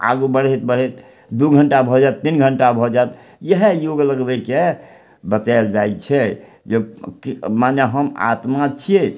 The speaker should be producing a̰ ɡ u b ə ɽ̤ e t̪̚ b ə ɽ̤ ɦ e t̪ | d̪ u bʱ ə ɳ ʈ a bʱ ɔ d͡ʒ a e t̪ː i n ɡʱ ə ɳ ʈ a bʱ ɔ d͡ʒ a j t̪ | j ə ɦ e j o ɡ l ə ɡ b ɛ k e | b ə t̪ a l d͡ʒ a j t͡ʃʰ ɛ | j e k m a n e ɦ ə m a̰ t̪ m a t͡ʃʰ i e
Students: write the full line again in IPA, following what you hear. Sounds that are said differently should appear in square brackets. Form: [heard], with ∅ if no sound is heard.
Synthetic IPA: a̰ ɡ u b ə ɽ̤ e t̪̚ b ə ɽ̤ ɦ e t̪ | d̪ u [ɡʱ] ə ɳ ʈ a bʱ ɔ d͡ʒ a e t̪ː i n ɡʱ ə ɳ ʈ a bʱ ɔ d͡ʒ a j t̪ | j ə ɦ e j o ɡ l ə ɡ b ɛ k e | b ə t̪ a l d͡ʒ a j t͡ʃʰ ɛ | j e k m a n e ɦ ə m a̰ t̪ m a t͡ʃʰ i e